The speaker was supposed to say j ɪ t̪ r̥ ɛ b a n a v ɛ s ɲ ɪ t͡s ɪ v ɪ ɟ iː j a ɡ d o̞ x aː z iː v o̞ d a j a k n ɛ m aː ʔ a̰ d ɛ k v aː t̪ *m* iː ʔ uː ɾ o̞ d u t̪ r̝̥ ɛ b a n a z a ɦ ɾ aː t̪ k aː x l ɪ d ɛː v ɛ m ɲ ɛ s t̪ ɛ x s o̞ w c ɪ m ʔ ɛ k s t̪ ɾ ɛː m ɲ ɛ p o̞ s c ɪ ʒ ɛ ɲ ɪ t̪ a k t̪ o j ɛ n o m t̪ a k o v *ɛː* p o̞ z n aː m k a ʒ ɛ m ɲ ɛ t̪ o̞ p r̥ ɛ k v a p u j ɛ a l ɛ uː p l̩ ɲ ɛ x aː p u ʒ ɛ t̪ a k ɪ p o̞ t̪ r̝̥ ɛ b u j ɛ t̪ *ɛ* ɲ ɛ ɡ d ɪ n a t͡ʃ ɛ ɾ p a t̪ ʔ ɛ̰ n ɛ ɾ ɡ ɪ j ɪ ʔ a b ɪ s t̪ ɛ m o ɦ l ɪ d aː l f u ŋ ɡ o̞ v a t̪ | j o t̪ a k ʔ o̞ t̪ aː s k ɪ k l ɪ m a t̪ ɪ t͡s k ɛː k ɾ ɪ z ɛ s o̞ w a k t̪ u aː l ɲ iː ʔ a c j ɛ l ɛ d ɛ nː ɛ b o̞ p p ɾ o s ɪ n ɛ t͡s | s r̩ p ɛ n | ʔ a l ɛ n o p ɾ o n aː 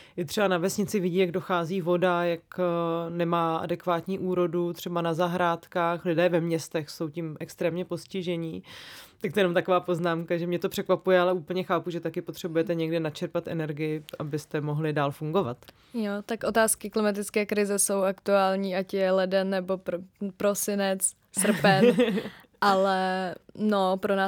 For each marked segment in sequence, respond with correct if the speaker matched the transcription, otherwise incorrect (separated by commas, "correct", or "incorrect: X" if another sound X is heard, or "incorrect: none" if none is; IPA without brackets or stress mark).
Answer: incorrect: ɲ, incorrect: aː, correct